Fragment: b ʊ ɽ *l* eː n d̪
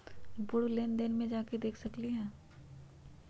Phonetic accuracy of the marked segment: correct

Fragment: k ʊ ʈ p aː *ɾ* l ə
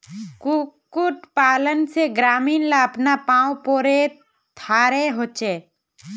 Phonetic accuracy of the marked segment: incorrect: none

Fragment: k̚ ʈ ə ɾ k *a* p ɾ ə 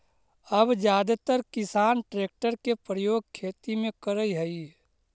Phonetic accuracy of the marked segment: incorrect: e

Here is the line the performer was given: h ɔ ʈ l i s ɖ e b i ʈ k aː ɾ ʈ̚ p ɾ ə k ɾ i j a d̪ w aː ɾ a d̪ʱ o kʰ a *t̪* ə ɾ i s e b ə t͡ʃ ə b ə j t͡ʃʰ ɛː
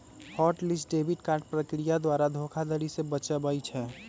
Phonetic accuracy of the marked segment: incorrect: d̪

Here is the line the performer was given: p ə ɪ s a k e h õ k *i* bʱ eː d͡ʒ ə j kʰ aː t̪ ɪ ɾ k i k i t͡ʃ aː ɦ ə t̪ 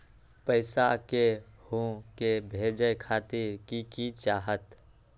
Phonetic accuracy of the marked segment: incorrect: e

